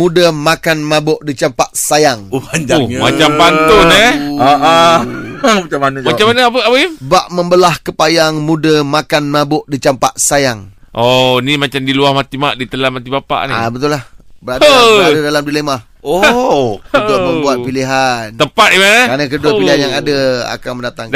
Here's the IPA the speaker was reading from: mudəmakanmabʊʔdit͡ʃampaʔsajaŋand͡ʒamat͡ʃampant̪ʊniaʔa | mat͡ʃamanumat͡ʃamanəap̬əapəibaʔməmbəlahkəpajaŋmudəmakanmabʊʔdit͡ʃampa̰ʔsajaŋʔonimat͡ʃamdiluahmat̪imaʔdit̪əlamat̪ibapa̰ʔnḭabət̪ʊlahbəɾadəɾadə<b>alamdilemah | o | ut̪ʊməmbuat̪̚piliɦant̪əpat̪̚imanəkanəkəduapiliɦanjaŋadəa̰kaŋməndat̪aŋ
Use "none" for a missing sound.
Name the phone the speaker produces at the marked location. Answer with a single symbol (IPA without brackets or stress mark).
d